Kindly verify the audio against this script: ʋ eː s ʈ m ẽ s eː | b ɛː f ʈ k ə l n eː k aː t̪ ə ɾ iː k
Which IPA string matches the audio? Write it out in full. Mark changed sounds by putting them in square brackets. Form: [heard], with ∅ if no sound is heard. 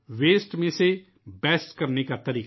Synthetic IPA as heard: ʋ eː s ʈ m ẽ s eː | b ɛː [s] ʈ k ə [ɾ] n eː k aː t̪ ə ɾ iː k